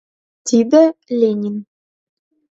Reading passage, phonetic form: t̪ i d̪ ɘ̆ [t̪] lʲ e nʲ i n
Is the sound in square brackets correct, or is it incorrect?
incorrect